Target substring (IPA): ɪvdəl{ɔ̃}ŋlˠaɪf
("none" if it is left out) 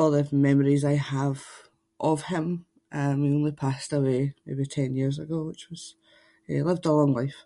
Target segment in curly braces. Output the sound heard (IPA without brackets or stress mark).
ɔ̃